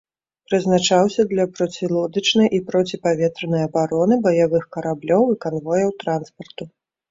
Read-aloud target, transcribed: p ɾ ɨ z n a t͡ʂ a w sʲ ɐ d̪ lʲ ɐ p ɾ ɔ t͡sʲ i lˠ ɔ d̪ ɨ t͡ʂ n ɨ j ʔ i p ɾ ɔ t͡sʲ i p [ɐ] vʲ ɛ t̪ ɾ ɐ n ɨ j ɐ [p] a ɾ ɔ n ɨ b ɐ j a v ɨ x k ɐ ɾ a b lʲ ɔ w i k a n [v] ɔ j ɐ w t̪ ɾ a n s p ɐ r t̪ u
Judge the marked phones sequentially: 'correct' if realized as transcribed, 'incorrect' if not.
incorrect: a, incorrect: b, correct

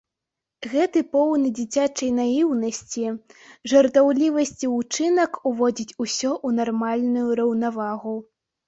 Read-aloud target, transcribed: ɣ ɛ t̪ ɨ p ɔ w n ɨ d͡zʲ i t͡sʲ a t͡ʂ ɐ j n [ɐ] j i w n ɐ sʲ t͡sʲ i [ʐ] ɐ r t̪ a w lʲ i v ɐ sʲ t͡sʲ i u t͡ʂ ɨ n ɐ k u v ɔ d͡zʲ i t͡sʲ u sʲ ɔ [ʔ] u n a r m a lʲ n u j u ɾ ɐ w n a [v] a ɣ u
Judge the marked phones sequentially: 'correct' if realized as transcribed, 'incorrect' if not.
incorrect: a, correct, correct, correct

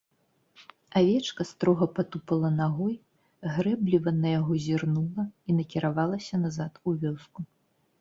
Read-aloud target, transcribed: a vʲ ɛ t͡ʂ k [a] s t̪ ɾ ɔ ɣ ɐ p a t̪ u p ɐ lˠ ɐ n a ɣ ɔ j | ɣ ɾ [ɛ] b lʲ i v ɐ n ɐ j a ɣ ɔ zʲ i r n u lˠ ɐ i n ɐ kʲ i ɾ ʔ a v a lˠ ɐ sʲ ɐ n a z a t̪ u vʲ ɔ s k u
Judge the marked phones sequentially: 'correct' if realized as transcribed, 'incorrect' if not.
incorrect: ɐ, correct

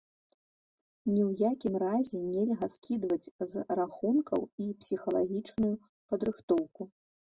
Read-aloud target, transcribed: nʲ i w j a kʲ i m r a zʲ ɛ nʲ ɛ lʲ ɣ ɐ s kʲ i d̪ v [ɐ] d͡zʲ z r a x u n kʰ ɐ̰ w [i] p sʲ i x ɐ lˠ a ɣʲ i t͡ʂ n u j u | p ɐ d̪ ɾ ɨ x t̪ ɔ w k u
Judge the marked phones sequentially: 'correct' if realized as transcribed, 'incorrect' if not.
correct, correct

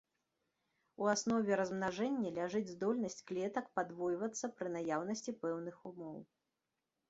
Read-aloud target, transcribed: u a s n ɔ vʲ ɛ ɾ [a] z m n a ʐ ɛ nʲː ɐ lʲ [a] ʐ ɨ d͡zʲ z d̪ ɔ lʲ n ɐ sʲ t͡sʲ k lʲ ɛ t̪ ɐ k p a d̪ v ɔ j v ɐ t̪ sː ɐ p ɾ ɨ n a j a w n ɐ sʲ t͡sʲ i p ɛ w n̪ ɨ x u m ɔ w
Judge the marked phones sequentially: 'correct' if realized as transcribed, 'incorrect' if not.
incorrect: ɐ, correct

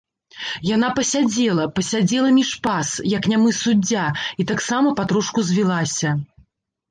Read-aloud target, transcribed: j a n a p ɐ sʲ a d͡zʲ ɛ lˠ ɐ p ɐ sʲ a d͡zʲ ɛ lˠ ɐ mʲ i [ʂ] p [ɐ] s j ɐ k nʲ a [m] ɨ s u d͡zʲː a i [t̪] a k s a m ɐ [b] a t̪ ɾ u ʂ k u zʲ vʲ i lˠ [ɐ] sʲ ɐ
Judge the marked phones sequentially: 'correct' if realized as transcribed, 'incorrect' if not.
correct, incorrect: a, correct, correct, incorrect: p, incorrect: a

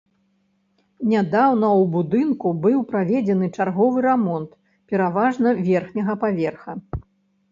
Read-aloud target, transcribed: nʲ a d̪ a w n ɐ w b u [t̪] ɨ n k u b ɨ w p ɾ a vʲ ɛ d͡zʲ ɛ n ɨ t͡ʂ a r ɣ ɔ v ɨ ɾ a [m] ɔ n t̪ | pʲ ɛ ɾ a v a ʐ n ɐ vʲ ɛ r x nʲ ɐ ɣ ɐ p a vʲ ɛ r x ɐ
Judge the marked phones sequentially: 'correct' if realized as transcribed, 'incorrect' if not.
incorrect: d̪, correct

